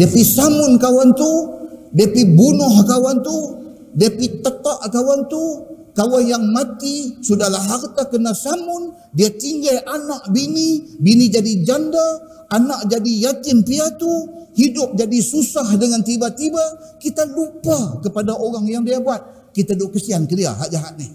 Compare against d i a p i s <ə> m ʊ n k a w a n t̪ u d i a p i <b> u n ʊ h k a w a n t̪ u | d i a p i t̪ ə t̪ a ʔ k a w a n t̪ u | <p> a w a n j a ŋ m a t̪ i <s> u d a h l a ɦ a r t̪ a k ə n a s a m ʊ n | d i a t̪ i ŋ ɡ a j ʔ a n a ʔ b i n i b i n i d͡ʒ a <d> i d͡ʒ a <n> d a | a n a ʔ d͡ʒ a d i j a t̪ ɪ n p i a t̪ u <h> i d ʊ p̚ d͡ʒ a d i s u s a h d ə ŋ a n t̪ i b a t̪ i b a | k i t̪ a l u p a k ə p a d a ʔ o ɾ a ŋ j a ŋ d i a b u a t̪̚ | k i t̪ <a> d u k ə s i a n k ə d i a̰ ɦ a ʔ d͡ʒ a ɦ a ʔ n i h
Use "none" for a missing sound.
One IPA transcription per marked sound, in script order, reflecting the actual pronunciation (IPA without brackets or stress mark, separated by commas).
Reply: a, b, k, s, d, n, h, a